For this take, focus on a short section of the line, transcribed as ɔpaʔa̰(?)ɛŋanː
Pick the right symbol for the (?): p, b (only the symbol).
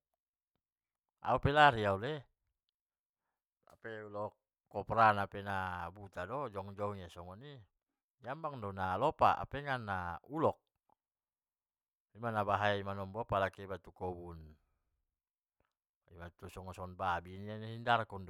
p